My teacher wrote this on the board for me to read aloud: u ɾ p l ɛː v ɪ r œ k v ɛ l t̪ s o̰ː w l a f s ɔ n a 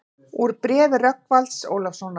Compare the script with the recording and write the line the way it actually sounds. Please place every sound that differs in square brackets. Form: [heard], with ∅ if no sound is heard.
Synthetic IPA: u ɾ p [ɾ] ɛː v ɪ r œ k v [a] l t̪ s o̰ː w l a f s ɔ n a